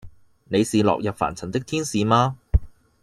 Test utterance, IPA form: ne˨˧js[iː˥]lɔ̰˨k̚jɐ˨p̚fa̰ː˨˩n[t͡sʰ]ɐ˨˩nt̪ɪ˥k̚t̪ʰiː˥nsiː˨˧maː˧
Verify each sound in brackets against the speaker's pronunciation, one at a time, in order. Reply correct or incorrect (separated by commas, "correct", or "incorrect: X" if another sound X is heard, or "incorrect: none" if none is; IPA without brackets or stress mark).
incorrect: iː˨, correct